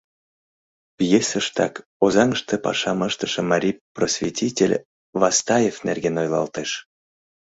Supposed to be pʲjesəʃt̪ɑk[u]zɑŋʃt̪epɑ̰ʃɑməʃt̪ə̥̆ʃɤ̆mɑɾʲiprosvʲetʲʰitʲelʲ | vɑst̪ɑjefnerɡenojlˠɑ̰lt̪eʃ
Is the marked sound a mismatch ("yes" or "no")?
yes